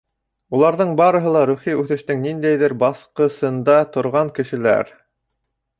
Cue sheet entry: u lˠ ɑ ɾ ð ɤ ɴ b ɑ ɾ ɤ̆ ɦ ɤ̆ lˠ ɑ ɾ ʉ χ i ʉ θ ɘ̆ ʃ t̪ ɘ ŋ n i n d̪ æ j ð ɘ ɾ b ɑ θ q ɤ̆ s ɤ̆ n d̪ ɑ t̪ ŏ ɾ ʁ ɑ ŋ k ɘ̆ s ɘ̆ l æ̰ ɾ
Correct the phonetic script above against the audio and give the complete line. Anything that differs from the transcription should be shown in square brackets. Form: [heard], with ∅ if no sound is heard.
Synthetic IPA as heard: u lˠ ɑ ɾ ð ɤ ɴ b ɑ ɾ ɤ̆ ɦ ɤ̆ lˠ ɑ ɾ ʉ χ i ʉ θ ɘ̆ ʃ t̪ ɘ ŋ n i n d̪ æ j ð ɘ ɾ b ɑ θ q ɤ̆ s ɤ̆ n d̪ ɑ t̪ ŏ ɾ ʁ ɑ ŋ k ɘ̆ [ʃ] ɘ̆ l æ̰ ɾ